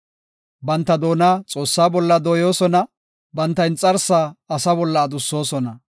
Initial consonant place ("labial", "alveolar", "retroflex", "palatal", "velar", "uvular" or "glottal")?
labial